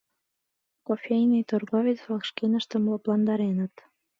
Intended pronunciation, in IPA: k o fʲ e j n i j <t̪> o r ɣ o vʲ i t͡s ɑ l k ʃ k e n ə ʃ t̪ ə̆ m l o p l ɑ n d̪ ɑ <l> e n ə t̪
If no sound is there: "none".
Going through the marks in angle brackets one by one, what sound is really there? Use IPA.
t̪, ɾ

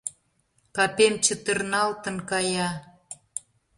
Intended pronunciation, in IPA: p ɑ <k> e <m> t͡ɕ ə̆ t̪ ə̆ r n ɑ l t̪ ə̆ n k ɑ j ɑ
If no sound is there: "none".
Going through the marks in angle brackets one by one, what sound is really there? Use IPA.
p, m

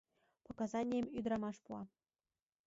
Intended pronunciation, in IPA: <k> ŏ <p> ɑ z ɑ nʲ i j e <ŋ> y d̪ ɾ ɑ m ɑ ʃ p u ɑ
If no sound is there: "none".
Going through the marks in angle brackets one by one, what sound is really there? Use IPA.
p, k, m

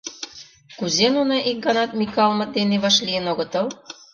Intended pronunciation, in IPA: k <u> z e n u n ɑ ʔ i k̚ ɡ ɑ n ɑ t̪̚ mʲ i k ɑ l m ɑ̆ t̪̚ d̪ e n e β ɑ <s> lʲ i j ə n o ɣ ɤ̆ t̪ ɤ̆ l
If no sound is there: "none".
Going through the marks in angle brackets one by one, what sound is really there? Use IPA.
u, ʃ

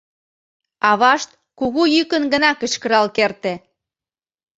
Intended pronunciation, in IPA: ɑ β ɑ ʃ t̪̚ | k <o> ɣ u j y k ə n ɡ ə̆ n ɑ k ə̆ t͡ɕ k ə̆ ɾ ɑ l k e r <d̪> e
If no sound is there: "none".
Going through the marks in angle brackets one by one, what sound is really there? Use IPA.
u, t̪

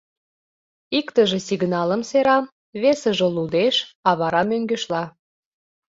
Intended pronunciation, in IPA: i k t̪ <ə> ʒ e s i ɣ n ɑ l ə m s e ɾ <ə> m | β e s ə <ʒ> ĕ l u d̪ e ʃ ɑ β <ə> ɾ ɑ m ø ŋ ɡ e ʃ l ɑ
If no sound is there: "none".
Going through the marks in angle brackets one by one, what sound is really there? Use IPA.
ə, ɑ, ʒ, ɑ

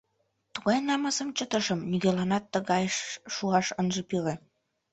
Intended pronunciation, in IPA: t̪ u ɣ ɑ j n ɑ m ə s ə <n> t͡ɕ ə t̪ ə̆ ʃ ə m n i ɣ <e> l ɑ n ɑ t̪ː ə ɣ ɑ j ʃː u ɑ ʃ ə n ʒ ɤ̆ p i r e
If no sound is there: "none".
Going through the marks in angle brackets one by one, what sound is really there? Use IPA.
m, e

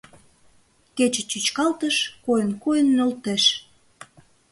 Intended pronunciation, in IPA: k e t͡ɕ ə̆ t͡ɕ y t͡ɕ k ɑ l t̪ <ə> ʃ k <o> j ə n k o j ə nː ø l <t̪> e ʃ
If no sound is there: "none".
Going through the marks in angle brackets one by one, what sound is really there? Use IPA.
ə, o, t̪

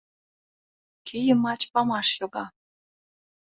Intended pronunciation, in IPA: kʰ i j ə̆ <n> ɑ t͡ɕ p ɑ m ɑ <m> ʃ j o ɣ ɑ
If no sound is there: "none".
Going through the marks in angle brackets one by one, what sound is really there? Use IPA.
m, none

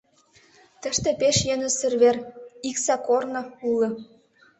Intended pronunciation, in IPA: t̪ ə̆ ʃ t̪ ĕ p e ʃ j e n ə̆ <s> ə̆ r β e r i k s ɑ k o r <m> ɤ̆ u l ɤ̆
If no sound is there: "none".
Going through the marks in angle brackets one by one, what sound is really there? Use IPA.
s, n

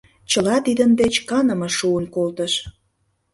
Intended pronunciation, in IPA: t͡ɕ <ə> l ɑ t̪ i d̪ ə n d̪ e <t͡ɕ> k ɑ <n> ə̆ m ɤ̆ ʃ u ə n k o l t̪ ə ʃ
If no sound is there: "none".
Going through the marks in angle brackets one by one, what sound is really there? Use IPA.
ə, t͡ɕ, n

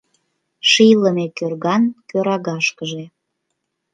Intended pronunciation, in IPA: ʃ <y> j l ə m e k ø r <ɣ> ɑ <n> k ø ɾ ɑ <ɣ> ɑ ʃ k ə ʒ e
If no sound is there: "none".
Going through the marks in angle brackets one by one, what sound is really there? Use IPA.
i, ɣ, n, ɣ

